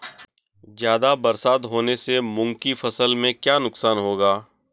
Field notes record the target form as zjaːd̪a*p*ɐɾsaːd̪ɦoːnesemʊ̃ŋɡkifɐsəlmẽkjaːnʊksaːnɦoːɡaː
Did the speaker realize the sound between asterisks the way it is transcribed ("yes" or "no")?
no